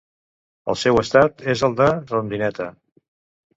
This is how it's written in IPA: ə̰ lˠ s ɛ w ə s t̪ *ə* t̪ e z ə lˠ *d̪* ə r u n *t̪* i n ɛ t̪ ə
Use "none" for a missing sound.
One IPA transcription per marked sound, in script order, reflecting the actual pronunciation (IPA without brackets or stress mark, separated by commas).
a, d̪, d̪